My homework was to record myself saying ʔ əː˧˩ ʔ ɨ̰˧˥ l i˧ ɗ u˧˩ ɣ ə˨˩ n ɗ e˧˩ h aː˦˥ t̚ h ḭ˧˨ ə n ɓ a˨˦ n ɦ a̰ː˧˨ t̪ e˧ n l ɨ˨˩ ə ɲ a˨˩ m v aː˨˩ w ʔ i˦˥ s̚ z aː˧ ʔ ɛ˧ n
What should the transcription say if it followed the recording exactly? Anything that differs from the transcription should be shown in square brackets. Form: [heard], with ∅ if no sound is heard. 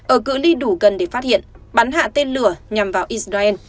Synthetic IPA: ʔ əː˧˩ [k] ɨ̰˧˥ l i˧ ɗ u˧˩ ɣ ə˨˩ n ɗ e˧˩ [f] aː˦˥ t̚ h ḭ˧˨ ə n ɓ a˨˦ n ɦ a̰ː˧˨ t̪ e˧ n l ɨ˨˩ ə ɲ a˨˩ m v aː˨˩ w ʔ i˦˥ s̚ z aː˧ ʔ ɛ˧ n